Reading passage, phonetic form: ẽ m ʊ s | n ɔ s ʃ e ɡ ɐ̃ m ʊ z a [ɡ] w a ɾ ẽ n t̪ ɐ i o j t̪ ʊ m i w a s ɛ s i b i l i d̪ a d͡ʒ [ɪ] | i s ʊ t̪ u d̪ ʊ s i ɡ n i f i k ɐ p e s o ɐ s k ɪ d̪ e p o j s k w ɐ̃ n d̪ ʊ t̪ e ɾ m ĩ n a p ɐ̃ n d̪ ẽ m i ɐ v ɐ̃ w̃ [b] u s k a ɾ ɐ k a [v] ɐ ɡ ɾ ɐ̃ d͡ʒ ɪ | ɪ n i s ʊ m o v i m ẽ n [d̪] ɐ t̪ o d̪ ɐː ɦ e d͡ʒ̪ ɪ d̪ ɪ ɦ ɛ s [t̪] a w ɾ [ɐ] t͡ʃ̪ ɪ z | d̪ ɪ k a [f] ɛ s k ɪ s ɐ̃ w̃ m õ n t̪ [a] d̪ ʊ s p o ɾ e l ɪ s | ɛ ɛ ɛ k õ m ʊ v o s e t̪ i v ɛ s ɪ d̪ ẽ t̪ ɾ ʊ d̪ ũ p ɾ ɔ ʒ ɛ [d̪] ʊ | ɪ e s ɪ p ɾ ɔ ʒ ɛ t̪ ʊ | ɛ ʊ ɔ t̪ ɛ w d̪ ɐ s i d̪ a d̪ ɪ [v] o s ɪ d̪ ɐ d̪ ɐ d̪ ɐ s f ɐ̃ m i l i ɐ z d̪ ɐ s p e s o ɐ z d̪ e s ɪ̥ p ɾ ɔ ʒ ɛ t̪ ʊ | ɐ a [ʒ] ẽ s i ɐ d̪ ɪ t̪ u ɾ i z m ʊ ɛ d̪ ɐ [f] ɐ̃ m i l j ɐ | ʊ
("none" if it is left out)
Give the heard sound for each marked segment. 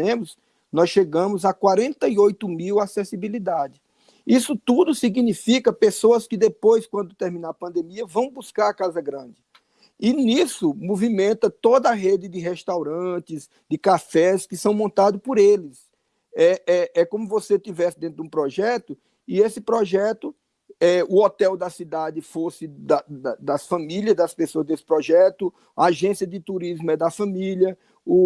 k, ɪ, b, z, t̪, t̪, ɐ̃, f, a, t̪, f, ʒ, f

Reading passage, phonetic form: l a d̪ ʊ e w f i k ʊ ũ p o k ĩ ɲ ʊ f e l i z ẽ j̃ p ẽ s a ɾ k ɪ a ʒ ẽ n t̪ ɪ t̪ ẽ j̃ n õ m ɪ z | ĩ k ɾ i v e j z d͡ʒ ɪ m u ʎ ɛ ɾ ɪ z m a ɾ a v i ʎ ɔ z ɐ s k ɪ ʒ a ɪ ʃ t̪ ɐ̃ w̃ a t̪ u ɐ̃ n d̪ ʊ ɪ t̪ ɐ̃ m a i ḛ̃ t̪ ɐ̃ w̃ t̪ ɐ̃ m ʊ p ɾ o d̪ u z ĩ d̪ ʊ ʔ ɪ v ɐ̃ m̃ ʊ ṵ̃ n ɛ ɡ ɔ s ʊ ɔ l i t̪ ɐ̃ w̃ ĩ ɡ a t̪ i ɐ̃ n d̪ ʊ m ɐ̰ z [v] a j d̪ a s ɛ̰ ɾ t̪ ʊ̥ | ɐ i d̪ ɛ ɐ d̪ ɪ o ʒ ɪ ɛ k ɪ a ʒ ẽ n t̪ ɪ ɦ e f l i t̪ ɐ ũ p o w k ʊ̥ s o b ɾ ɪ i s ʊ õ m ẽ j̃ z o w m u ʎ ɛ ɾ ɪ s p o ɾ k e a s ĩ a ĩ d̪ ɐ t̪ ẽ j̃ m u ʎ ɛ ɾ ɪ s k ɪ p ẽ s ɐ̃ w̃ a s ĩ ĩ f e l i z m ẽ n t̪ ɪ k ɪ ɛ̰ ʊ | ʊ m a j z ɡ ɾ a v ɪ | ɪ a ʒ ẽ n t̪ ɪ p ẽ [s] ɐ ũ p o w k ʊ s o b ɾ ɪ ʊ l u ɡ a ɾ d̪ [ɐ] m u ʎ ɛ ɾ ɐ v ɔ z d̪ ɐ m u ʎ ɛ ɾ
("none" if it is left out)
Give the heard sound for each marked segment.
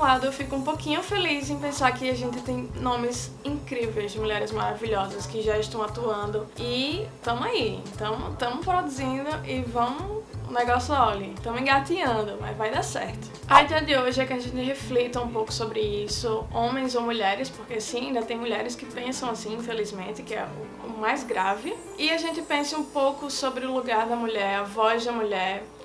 v, s, ɐ

